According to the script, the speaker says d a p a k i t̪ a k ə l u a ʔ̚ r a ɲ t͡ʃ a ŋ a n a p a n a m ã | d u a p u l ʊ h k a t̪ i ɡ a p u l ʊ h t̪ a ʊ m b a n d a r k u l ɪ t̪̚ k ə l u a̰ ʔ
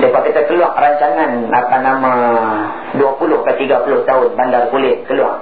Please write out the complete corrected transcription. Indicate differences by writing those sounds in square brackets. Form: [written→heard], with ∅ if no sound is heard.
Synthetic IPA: d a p a k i t̪ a k ə l u a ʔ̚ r a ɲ t͡ʃ a ŋ a n a p a n a m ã | d u a p u l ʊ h k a t̪ i ɡ a p u l ʊ h t̪ a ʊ [m→n] b a n d a r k u l ɪ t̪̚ k ə l u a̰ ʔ